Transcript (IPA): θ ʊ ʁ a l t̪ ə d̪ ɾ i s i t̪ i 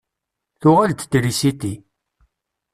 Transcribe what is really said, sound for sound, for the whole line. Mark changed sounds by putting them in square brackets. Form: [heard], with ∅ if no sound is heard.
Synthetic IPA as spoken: θ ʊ ʁ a l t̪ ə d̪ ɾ i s i t̪ i